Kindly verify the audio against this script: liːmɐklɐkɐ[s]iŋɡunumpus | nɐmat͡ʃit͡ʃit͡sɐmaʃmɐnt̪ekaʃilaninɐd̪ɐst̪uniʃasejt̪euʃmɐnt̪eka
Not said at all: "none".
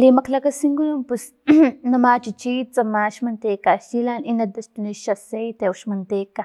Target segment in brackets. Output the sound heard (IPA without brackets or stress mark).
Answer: s